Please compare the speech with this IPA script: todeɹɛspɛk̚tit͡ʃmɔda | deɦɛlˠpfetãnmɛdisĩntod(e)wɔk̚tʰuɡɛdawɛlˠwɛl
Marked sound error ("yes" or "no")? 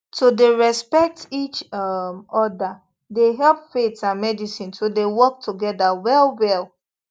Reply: no